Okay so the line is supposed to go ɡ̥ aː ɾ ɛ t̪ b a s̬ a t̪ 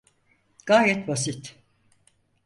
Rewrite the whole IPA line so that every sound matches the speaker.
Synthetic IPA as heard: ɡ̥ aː ɾ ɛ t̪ b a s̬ i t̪